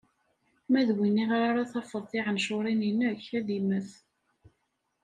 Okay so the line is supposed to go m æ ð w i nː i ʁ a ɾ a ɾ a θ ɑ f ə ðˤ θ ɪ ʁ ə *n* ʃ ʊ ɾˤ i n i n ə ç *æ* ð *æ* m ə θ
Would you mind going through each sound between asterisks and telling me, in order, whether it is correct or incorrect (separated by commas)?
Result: correct, correct, incorrect